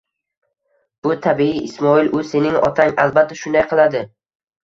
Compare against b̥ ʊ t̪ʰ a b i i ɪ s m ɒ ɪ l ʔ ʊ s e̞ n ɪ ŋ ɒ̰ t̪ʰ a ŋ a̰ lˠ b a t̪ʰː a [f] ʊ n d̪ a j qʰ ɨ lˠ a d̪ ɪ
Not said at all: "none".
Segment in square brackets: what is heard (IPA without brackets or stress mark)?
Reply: ʃ